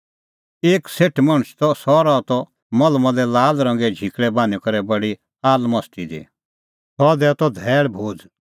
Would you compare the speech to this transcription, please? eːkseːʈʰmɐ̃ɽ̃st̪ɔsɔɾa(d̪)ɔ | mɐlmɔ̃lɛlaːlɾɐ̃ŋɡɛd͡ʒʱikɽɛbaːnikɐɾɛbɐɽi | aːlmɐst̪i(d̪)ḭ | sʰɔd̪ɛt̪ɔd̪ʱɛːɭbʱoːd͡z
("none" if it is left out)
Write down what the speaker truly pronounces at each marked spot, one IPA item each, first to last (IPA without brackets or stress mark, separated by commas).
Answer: t̪, d̪